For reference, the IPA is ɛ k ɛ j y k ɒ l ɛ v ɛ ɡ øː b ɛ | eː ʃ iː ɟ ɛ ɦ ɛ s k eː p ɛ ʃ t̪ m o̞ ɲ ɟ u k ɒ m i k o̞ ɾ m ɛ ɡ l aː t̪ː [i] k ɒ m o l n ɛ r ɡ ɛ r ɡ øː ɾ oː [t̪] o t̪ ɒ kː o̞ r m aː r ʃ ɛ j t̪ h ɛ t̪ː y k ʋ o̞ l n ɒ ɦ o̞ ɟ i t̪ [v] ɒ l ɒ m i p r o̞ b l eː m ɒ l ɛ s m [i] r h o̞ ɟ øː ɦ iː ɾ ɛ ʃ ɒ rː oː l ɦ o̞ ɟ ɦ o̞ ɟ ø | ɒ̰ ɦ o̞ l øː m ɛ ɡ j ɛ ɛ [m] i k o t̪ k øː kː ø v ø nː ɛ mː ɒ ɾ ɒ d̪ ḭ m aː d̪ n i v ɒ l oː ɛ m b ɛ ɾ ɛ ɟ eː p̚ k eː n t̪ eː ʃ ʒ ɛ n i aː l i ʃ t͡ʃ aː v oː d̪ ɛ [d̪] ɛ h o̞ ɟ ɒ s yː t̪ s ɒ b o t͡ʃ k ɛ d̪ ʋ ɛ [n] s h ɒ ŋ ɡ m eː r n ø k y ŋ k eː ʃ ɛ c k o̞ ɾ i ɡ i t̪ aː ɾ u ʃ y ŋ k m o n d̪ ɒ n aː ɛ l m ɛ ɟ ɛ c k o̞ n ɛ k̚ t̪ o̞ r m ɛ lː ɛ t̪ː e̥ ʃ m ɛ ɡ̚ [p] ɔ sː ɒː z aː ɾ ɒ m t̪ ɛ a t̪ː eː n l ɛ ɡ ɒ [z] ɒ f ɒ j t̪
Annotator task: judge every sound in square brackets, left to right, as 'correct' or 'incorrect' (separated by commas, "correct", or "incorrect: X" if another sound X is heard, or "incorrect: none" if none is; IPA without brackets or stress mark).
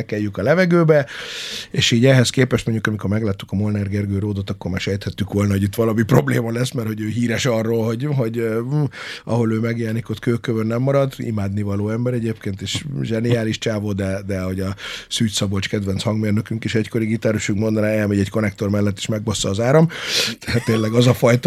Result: incorrect: y, incorrect: d̪, incorrect: ʋ, incorrect: ɛ, incorrect: n, correct, correct, incorrect: b, correct